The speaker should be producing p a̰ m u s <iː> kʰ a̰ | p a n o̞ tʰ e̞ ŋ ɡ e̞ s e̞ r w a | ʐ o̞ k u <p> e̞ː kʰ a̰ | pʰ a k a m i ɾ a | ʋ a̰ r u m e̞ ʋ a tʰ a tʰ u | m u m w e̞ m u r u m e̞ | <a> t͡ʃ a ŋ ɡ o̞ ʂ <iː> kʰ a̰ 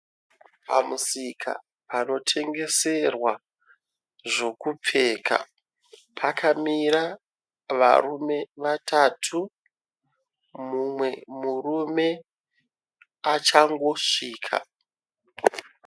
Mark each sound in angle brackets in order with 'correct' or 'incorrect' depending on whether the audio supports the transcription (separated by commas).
incorrect, incorrect, correct, correct